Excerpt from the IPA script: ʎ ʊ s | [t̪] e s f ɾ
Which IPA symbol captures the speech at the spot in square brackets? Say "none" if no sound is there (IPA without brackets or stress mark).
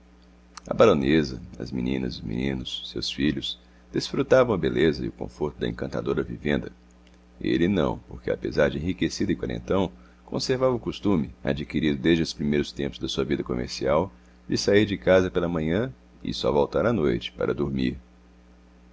d̪